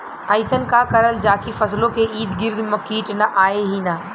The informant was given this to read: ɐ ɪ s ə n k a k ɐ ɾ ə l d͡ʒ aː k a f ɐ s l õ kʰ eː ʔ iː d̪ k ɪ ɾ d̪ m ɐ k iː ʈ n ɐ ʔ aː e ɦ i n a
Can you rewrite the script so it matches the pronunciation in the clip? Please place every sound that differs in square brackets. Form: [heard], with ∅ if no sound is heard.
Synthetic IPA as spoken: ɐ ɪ s ə n k a k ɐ ɾ ə l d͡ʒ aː k [i] f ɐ s l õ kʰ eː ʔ iː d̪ [ɡ] ɪ ɾ d̪ m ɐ k iː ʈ n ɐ ʔ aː e ɦ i n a